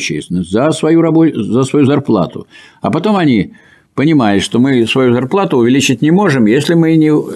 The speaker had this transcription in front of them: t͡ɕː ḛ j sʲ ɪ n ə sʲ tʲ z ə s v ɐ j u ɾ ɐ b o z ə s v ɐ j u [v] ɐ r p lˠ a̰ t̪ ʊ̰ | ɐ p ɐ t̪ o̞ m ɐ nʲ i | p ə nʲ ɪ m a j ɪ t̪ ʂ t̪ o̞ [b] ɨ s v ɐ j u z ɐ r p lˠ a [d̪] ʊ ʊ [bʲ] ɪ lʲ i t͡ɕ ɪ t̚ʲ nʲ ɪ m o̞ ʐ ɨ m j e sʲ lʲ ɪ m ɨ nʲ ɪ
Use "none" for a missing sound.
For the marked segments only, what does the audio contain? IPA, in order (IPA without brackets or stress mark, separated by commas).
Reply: z, m, t̪, vʲ